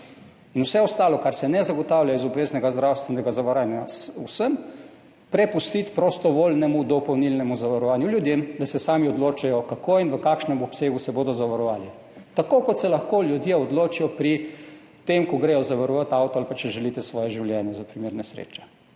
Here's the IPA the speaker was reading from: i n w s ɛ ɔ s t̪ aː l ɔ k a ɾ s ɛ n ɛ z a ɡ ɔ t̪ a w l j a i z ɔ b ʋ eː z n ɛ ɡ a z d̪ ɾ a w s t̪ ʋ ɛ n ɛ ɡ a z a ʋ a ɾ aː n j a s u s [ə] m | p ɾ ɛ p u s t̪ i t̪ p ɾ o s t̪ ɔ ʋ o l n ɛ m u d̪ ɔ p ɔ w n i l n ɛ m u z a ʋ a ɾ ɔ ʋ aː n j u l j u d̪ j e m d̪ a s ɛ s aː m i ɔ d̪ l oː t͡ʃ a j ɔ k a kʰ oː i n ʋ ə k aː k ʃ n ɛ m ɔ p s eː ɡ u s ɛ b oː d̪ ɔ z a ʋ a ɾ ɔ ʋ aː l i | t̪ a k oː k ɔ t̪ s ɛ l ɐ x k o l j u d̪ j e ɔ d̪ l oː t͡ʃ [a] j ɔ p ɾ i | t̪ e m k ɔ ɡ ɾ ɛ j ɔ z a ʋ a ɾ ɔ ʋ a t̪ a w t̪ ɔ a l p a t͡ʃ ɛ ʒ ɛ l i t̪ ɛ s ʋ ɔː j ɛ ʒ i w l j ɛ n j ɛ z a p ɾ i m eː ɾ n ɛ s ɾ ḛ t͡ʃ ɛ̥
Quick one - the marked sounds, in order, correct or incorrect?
correct, incorrect

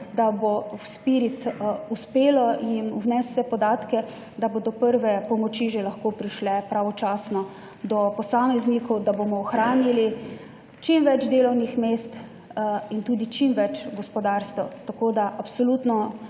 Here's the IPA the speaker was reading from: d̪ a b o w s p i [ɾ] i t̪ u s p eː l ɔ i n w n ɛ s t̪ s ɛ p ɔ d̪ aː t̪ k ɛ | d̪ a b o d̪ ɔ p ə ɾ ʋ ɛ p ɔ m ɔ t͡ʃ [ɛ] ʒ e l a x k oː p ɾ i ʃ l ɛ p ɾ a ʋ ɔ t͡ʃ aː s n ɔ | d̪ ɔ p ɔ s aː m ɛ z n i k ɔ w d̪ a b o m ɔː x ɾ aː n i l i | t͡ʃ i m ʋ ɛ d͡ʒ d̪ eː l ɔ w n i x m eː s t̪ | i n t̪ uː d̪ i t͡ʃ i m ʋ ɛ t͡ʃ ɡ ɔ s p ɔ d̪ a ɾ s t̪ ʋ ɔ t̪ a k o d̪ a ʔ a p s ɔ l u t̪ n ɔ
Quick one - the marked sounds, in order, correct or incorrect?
correct, incorrect

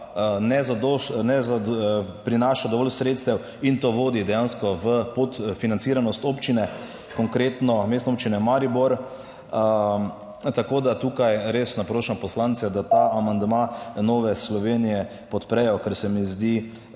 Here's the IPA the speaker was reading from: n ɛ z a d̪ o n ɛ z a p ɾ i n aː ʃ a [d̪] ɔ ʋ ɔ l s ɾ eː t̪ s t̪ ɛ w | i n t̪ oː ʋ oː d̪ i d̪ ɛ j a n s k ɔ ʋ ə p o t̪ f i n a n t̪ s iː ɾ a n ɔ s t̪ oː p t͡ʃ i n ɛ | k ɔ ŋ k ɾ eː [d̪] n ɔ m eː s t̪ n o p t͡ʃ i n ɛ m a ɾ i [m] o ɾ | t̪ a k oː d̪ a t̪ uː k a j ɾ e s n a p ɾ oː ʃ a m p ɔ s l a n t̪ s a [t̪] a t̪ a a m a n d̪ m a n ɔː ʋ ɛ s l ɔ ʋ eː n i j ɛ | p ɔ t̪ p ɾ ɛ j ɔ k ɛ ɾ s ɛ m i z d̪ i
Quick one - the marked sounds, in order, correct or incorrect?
correct, incorrect, incorrect, incorrect

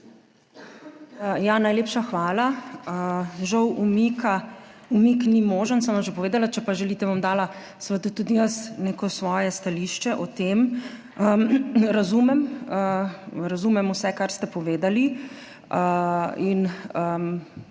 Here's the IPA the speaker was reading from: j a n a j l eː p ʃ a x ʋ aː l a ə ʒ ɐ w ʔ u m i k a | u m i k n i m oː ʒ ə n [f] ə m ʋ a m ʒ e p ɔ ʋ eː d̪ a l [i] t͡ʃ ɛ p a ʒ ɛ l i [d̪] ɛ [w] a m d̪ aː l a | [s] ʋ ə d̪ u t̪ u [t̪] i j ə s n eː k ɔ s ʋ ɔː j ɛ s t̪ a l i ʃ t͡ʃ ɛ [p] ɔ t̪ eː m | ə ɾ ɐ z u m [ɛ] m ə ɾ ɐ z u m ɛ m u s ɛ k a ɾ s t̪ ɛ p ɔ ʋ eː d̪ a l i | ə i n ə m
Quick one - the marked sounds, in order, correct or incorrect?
incorrect, incorrect, incorrect, incorrect, correct, incorrect, incorrect, correct

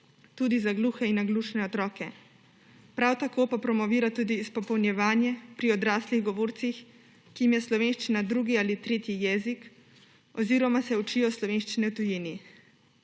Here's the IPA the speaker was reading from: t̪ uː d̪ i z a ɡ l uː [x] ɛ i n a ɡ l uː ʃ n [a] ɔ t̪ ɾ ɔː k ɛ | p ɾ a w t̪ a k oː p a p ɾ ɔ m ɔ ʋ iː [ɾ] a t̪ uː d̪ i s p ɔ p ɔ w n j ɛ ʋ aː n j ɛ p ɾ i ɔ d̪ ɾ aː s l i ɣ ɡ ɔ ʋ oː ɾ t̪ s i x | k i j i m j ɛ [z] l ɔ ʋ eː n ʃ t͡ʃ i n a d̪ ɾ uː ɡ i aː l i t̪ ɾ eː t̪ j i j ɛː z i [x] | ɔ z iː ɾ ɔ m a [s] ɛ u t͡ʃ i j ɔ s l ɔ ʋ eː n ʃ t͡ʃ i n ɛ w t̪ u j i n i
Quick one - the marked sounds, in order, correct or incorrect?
correct, incorrect, correct, incorrect, incorrect, correct

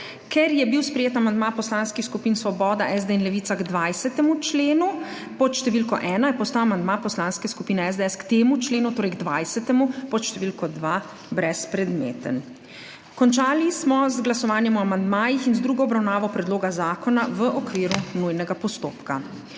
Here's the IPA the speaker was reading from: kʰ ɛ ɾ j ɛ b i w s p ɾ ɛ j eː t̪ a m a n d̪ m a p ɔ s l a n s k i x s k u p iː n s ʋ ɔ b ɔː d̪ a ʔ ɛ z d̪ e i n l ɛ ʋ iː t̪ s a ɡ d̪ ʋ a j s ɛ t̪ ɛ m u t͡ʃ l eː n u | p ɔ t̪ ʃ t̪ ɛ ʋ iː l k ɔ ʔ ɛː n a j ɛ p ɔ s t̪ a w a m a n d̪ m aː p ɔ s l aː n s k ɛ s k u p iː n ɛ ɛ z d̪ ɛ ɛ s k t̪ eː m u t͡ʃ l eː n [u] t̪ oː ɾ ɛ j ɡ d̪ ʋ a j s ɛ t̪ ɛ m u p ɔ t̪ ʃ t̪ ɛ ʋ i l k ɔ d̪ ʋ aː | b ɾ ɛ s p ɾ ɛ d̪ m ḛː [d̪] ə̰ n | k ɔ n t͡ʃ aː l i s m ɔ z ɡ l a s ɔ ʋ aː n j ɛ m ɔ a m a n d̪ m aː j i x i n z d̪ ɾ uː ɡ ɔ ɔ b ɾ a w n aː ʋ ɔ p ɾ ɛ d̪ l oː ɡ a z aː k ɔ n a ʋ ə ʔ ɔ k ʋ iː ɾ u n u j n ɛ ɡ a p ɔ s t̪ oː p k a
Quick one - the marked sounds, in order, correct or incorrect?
correct, incorrect

